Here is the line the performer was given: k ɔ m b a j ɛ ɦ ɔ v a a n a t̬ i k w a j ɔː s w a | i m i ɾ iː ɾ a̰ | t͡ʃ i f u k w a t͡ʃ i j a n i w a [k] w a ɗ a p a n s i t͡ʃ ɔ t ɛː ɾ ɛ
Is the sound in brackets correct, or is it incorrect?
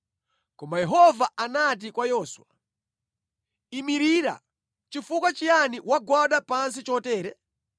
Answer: incorrect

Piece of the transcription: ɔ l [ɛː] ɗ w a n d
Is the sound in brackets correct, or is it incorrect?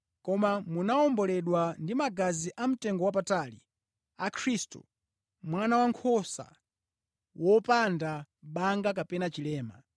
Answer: incorrect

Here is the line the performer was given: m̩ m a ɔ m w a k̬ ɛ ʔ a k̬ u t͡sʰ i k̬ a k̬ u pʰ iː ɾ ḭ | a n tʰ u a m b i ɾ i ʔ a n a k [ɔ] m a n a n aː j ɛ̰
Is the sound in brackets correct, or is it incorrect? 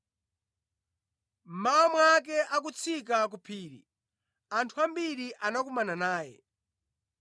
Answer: incorrect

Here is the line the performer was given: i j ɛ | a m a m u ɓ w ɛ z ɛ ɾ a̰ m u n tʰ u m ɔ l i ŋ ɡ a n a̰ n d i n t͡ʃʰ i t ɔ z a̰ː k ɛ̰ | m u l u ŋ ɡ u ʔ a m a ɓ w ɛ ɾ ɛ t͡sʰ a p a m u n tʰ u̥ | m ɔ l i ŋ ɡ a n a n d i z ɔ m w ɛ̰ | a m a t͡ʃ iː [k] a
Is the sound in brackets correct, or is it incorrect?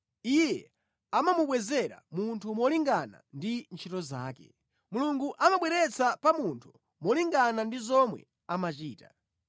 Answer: incorrect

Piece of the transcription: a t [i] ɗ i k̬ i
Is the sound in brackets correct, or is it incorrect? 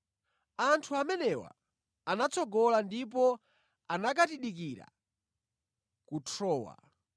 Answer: correct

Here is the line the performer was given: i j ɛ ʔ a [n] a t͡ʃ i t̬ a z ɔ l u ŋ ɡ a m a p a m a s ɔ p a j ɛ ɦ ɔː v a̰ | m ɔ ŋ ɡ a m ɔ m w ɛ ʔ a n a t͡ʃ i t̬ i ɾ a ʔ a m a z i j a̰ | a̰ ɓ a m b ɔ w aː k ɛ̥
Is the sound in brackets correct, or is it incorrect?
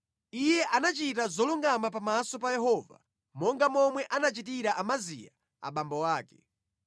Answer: correct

